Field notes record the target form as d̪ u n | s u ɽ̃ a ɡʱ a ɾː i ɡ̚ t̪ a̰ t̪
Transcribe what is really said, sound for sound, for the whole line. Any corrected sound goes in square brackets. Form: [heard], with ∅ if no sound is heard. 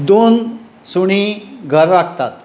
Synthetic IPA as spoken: d̪ [o] n | s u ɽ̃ [i] ɡʱ [ə] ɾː [a] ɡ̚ t̪ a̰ t̪